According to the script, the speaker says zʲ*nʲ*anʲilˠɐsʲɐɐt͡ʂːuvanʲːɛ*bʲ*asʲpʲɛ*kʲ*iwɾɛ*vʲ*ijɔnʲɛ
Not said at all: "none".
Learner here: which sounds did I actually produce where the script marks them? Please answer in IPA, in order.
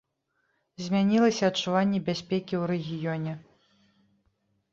mʲ, bʲ, kʲ, ɣʲ

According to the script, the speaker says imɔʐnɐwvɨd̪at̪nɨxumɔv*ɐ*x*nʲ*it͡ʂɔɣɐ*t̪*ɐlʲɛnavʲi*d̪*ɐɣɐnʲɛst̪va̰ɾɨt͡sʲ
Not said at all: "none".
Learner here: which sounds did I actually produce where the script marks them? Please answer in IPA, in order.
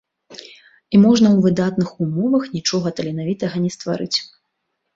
ɐ, nʲ, t̪, t̪

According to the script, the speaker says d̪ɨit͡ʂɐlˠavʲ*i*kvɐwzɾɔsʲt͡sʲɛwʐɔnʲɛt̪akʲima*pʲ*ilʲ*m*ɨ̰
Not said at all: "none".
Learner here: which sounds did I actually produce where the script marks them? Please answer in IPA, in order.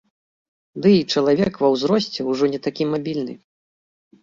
ɛ, bʲ, n

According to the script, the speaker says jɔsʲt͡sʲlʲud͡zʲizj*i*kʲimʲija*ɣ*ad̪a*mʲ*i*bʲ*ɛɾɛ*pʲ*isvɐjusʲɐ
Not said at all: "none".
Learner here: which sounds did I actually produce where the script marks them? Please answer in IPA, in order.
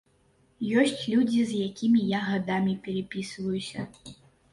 a, ɣ, mʲ, pʲ, pʲ

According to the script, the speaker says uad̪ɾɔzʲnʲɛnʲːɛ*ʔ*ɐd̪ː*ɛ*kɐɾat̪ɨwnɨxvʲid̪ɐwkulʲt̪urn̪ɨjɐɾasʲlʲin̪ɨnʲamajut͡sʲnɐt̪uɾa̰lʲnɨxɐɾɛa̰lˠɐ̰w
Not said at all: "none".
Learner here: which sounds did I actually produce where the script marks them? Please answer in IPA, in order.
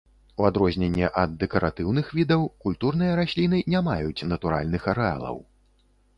ʔ, ɛ

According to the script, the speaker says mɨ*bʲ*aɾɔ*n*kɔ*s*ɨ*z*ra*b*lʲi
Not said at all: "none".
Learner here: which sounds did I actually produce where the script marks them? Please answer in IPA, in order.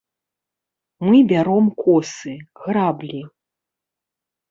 bʲ, m, s, ɣ, b

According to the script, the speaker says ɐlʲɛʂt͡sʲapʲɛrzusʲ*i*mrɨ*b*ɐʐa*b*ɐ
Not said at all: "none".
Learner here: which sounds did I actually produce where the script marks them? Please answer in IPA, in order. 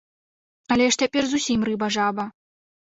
i, b, b

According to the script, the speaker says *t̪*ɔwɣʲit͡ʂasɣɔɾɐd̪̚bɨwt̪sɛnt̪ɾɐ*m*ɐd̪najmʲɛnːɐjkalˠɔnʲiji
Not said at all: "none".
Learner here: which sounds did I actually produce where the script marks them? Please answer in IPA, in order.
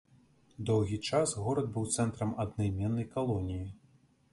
d̪, m

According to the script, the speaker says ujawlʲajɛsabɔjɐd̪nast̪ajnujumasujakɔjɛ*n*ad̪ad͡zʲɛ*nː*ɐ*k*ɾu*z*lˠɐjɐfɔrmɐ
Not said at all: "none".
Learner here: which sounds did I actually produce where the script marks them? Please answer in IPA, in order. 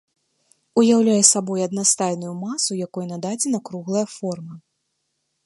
n, n, k, ɣ

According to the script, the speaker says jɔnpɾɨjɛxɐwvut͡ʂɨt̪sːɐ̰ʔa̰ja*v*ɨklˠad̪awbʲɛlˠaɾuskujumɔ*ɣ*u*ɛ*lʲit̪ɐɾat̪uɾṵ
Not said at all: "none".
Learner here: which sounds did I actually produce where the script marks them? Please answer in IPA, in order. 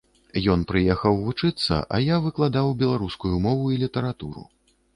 v, v, i

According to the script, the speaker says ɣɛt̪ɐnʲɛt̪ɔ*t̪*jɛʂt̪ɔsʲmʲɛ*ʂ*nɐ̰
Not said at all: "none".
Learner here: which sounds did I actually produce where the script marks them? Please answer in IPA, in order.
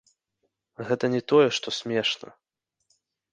none, ʂ

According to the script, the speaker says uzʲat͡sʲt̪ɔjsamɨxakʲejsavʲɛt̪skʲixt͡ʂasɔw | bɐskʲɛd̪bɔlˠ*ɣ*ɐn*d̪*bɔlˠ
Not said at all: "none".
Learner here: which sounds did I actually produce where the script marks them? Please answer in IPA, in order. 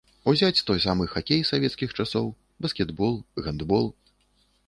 ɣ, d̪

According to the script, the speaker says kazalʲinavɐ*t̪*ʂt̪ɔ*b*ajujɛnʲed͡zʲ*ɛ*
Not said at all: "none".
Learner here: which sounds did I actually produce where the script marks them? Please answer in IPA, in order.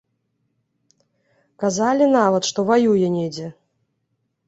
t̪, v, ɛ

